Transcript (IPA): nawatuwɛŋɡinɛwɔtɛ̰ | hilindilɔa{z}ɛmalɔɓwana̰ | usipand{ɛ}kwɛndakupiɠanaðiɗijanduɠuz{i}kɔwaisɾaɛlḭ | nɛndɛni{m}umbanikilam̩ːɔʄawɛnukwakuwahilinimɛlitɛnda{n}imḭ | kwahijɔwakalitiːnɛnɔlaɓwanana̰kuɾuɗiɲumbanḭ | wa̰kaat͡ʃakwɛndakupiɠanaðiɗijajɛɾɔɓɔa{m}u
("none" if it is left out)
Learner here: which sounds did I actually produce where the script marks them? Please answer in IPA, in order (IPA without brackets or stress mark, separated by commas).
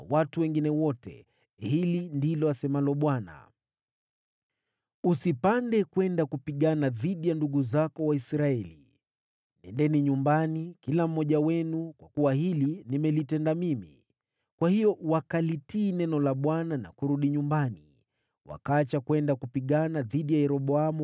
s, ɛ, a, ɲ, m, m